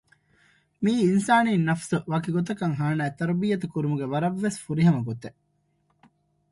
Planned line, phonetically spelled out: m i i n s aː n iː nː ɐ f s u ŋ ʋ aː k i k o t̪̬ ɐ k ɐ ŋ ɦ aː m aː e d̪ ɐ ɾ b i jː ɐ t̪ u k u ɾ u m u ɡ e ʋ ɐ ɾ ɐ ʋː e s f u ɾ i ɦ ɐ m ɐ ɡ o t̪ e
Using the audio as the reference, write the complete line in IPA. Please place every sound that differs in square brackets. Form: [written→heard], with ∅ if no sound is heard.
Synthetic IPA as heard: m [i→iː] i n s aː n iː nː ɐ f s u [ŋ→∅] ʋ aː k i [k→ɡ] o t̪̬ ɐ k ɐ ŋ ɦ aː [m→n] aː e [d̪→t̪] ɐ ɾ b i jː ɐ t̪ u k u ɾ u m u ɡ e ʋ ɐ ɾ ɐ ʋː e s f u ɾ i ɦ ɐ m ɐ ɡ o t̪ e

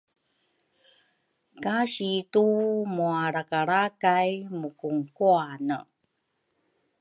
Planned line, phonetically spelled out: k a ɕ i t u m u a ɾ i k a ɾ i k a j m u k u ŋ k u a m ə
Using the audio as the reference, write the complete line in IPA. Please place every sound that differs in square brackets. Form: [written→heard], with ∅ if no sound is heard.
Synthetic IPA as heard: k a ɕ i t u m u a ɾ [i→a] k a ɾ [i→a] k a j m u k u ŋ k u a [m→n] ə

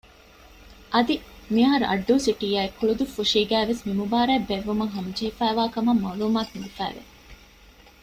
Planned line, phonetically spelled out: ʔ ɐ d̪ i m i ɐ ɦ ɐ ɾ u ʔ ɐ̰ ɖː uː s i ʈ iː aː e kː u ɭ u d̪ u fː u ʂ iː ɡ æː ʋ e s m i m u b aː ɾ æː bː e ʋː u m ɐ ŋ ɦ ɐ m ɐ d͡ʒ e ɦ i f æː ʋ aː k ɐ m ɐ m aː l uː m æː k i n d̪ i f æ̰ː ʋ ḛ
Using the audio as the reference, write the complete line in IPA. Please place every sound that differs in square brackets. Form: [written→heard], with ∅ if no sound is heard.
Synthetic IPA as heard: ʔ ɐ d̪ i m i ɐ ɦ ɐ ɾ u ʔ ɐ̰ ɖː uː s i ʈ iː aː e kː u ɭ u d̪ u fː u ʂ iː ɡ æː ʋ e s m i m u b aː ɾ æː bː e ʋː u m ɐ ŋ ɦ ɐ m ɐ d͡ʒ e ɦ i f æː ʋ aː k ɐ m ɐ m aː l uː m [æː→aː] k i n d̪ i f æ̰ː ʋ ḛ

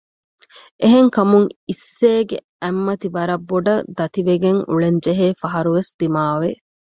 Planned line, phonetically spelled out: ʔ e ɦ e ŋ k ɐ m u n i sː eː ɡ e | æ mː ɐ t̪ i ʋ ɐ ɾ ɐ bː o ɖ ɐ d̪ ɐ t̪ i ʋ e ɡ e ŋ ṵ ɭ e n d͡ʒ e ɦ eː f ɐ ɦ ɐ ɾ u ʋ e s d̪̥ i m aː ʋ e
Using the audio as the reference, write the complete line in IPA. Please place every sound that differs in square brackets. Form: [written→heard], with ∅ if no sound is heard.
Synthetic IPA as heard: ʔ e ɦ e ŋ k ɐ m u [n→ŋ] i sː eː ɡ e | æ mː ɐ t̪ i ʋ ɐ ɾ ɐ bː o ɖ ɐ d̪ ɐ t̪ i ʋ e ɡ e ŋ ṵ ɭ e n d͡ʒ e ɦ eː f ɐ ɦ ɐ ɾ u ʋ e s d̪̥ i m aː ʋ e

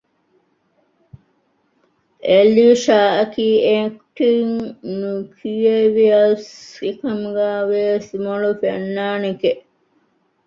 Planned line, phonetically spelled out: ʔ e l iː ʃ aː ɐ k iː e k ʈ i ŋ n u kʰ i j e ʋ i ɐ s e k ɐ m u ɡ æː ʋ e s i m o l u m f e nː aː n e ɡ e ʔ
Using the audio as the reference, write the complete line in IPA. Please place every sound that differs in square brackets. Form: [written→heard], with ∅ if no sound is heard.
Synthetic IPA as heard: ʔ e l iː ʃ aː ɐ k iː e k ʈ i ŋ n u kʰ i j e ʋ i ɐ s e k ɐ m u ɡ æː ʋ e s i m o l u [m→∅] f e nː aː n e [ɡ→k] e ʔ

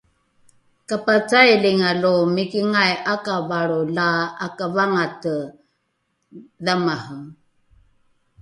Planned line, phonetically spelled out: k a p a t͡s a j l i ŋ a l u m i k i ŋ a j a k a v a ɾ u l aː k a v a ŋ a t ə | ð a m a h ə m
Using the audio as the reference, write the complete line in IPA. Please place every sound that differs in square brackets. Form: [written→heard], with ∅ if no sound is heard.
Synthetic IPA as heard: k a p a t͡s a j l i ŋ a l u m i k i ŋ a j a k a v a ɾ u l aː k a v a ŋ a t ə | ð a m a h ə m

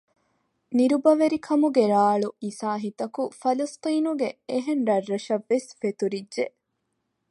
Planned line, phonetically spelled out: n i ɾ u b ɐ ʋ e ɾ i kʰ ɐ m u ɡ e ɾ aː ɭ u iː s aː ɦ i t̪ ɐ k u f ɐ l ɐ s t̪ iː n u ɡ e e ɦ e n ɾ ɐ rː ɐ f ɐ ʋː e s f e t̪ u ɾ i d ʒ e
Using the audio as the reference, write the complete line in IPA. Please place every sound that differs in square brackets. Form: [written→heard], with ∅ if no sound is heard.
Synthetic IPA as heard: n i ɾ u b ɐ ʋ e ɾ i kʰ ɐ m u ɡ e ɾ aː ɭ u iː s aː ɦ i t̪ ɐ k u f ɐ l ɐ s t̪ iː n u ɡ e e ɦ e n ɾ ɐ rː ɐ [f→ʃ] ɐ ʋː e s f e t̪ u ɾ i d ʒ e

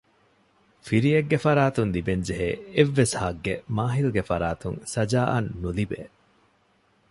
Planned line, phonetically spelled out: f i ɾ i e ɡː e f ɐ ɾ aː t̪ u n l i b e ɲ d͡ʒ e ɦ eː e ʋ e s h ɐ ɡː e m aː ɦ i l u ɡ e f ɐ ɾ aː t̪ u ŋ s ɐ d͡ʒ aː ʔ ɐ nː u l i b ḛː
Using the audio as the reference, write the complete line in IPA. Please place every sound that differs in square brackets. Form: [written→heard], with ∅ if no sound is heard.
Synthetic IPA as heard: f i ɾ i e ɡː e f ɐ ɾ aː t̪ u n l i b e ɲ d͡ʒ e ɦ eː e [ʋ→ʋː] e s h ɐ ɡː e m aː ɦ i l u ɡ e f ɐ ɾ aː t̪ u ŋ s ɐ d͡ʒ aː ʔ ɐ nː u l i b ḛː

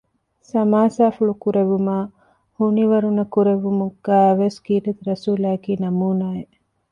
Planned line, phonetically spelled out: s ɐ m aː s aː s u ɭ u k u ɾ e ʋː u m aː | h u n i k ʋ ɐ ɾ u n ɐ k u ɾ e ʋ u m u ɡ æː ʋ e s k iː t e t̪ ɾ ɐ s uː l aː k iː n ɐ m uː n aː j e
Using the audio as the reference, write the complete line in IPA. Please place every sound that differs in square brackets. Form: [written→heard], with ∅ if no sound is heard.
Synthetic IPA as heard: s ɐ m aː s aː [s→f] u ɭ u k u ɾ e [ʋː→ʋ] u m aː | h u n i [k→∅] ʋ ɐ ɾ u n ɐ k u ɾ e ʋ u m u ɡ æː ʋ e s k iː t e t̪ ɾ ɐ s uː l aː k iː n ɐ m uː n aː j e

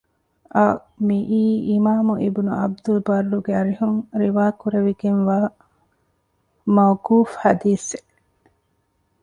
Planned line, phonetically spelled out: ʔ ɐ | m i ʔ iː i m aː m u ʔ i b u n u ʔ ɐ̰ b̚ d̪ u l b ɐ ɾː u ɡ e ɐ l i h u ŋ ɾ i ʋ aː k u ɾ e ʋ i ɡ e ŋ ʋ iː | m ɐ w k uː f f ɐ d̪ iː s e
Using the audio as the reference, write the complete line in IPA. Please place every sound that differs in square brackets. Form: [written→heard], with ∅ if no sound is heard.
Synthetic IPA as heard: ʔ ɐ | m i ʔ iː i m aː m u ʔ i b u n u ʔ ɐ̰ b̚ d̪ u l b ɐ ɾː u ɡ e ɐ [l→ɾ] i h u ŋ ɾ i ʋ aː k u ɾ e ʋ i ɡ e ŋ ʋ [iː→aː] | m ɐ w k uː f [f→h] ɐ d̪ iː s e

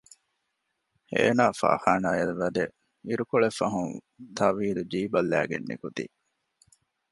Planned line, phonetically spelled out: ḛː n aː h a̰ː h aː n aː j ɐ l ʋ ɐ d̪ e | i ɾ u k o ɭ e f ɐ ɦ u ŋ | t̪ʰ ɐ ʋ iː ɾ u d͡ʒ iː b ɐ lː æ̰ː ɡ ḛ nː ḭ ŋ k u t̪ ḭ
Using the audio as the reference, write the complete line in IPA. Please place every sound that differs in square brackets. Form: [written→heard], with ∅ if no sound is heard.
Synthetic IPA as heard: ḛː n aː [h→f] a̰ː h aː n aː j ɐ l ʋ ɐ d̪ e | i ɾ u k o ɭ e f ɐ ɦ u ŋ | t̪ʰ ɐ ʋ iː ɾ u d͡ʒ iː b ɐ lː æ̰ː ɡ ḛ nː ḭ [ŋ→∅] k u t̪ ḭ

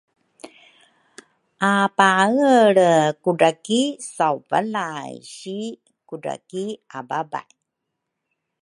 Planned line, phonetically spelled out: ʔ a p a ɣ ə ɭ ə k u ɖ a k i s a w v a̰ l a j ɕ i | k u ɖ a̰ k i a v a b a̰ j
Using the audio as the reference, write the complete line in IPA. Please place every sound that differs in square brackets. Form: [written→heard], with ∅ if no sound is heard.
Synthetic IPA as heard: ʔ a p a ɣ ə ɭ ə k u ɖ a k i s a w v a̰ l a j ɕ i | k u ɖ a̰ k i a [v→b] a b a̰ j

